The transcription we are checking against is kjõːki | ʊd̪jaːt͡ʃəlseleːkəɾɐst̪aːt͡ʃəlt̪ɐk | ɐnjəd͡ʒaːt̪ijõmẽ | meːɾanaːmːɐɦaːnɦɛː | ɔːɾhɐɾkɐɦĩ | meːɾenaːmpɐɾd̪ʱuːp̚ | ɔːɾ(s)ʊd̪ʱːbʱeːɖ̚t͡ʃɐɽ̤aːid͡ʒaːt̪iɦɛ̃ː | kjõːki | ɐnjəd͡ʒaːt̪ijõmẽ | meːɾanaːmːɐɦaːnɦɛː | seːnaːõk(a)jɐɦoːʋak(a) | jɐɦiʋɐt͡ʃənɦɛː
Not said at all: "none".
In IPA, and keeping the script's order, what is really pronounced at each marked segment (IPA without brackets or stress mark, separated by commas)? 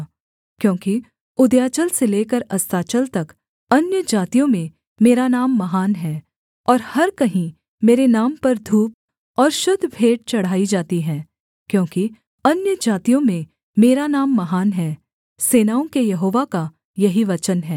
ʃ, e, a